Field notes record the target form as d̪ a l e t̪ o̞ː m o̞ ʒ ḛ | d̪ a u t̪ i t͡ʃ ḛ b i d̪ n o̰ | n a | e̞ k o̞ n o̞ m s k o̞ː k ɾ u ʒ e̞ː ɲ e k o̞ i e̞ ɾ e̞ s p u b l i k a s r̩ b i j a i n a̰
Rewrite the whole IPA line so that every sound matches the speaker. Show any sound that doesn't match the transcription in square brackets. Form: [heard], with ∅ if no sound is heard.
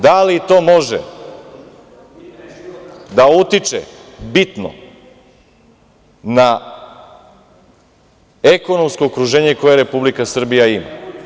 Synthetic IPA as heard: d̪ a l [i] t̪ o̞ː m o̞ ʒ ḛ | d̪ a u t̪ i t͡ʃ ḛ b i [t̪] n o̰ | n a | e̞ k o̞ n o̞ m s k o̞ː k ɾ u ʒ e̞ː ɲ e k o̞ [j] e̞ ɾ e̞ [∅] p u b l i k a s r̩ b i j a i [m] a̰